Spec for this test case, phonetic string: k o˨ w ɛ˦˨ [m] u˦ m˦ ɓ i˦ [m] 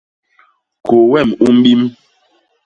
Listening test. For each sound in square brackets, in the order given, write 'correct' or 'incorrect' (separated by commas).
correct, correct